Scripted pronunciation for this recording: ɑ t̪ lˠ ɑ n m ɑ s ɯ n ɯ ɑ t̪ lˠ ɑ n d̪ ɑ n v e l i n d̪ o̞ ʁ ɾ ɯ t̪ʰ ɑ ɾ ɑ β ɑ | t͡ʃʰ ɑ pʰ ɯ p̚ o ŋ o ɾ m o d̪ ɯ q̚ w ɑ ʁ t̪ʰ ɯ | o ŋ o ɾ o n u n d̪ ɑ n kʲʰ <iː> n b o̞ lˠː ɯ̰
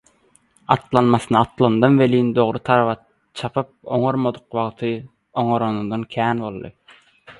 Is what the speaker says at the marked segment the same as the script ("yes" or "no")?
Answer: no